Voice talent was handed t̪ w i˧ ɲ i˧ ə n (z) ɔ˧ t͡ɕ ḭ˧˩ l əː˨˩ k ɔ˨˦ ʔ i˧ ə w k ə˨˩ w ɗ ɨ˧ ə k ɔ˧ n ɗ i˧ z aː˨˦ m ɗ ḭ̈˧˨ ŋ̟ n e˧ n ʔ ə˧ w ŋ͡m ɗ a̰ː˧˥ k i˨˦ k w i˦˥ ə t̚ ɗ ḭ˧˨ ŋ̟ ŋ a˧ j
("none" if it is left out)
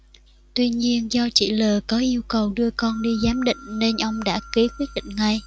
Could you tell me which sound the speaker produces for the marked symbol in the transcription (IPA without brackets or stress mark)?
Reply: z